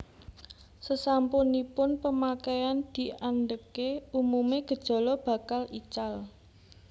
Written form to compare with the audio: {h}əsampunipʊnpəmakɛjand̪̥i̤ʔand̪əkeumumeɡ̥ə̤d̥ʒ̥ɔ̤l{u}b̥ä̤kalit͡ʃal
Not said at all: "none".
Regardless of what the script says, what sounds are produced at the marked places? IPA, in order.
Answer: s, ɔ

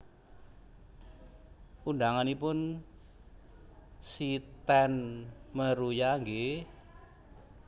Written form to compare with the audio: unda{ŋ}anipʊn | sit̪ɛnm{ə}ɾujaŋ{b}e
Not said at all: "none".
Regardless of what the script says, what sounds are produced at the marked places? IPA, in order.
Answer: ŋ, ə, ɡ

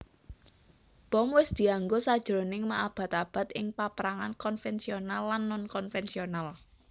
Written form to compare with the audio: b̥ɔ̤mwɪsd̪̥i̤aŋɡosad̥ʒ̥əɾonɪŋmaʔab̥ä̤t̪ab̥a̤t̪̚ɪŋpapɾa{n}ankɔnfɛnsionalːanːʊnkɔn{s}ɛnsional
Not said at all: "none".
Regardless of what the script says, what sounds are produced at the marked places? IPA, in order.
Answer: ŋ, f

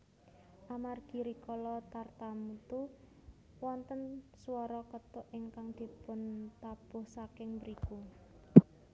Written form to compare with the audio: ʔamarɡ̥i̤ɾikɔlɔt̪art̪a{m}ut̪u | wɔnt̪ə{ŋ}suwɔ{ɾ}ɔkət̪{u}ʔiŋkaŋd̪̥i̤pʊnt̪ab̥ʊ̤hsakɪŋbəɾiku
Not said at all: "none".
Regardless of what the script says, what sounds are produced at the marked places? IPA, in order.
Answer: m, n, ɾ, ʊ

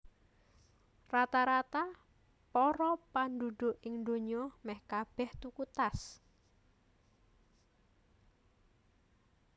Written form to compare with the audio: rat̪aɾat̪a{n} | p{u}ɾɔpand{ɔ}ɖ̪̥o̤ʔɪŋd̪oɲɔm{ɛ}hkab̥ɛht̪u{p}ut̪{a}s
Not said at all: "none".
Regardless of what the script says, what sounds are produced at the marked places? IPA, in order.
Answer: none, ɔ, u, ɛ, k, a

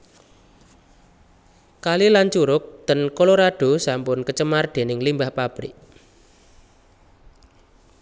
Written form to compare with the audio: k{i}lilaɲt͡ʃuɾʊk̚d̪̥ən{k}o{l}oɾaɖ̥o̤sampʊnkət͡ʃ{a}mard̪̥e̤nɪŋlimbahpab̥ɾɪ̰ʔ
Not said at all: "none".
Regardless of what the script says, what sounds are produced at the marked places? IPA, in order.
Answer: a, k, l, ə

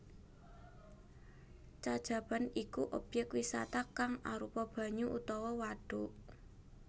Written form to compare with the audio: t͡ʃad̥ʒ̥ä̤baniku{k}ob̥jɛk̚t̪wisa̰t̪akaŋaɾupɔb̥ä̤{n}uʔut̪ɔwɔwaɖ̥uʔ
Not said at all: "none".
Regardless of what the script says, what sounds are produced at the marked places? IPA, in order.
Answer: ʔ, ɲ

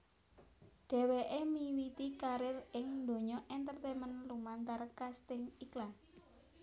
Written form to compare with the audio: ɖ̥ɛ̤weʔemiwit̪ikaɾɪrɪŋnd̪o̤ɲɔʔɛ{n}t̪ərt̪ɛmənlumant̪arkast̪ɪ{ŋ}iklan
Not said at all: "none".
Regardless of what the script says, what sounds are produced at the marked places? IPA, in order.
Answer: n, ŋ

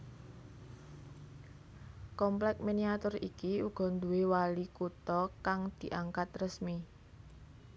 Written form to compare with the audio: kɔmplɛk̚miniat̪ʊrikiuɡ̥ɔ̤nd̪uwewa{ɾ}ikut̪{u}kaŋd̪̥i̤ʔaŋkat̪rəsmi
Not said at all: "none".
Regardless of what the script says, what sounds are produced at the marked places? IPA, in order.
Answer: l, ɔ

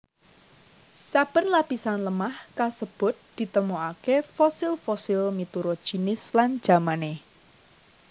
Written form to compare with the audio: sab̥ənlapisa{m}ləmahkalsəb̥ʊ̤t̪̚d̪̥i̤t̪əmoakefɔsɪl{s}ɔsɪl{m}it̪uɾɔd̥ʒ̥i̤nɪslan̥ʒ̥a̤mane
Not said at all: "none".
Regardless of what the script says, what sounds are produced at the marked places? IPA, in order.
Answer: n, f, m

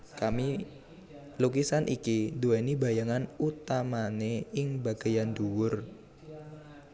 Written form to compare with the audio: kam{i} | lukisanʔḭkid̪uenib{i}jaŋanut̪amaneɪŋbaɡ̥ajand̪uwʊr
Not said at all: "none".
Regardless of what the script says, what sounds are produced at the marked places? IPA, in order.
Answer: i, a

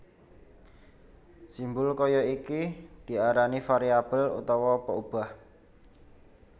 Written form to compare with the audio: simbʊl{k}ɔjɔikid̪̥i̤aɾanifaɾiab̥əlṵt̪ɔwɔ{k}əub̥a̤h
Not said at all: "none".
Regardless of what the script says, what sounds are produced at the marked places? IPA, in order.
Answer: k, p

